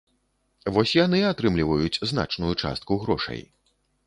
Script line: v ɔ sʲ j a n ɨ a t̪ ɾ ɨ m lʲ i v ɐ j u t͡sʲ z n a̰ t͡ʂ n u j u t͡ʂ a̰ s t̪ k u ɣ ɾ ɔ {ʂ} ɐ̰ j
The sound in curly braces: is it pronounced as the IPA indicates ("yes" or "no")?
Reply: yes